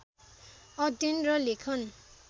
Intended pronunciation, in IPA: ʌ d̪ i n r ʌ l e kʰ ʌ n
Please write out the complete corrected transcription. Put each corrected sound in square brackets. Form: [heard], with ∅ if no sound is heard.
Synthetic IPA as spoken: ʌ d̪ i n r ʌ l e kʰ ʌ n